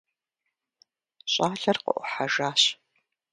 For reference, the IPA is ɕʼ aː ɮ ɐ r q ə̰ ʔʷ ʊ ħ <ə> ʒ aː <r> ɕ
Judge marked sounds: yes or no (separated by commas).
no, no